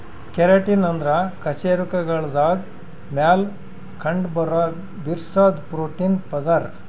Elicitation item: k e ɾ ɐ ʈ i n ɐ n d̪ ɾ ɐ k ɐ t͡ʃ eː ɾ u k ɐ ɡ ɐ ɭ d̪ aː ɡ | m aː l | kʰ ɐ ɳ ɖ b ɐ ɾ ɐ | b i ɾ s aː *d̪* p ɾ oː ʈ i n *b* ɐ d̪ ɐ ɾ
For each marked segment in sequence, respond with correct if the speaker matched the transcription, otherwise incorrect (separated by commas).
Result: correct, incorrect